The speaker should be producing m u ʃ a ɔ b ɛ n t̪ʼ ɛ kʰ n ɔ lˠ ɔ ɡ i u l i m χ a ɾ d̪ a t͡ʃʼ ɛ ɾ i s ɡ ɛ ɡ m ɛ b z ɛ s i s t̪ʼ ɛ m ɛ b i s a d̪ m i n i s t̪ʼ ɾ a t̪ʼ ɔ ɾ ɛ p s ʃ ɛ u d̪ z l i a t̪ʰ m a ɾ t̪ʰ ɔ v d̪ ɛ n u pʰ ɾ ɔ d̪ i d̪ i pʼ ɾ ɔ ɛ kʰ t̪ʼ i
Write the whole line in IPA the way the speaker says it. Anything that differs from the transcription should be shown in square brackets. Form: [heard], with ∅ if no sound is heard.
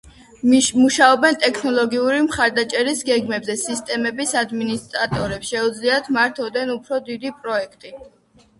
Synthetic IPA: m u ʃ a ɔ b ɛ n t̪ʼ ɛ kʰ n ɔ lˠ ɔ ɡ i u [ɾ] i m χ a ɾ d̪ a t͡ʃʼ ɛ ɾ i s ɡ ɛ ɡ m ɛ b z ɛ s i s t̪ʼ ɛ m ɛ b i s a d̪ m i n i s t̪ʼ ɾ a t̪ʼ ɔ ɾ ɛ p s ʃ ɛ u d̪ z l i a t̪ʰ m a ɾ t̪ʰ ɔ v d̪ ɛ n u pʰ ɾ ɔ d̪ i d̪ i pʼ ɾ ɔ ɛ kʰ t̪ʼ i